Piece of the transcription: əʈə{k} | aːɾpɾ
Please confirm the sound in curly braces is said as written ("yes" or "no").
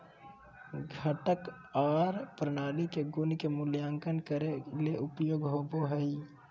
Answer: yes